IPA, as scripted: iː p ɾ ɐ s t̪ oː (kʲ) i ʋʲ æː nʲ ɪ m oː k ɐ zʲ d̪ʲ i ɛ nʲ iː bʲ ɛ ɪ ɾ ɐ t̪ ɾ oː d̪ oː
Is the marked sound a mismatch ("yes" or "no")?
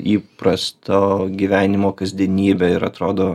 yes